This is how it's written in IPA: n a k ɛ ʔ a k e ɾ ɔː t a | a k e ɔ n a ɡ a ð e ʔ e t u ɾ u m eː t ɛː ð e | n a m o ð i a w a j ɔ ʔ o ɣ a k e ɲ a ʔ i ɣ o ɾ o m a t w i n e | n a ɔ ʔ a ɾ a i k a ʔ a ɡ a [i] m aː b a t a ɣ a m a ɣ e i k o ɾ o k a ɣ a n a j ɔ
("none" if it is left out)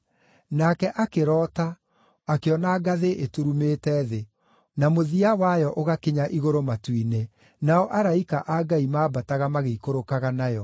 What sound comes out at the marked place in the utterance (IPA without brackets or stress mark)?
i